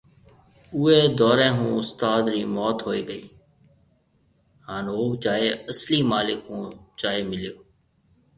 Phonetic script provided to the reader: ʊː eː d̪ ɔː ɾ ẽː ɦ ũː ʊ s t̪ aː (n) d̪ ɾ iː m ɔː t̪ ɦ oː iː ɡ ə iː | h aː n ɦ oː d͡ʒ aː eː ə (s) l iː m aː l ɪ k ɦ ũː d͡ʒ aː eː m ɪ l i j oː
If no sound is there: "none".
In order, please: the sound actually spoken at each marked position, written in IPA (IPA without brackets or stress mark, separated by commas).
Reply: none, s